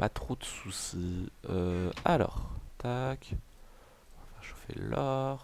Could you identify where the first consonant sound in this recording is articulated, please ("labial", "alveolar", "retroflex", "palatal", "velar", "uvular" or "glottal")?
labial